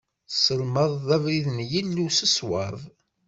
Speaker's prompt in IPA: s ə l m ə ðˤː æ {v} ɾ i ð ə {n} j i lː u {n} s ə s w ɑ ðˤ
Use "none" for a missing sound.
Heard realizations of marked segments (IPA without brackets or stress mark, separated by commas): v, n, none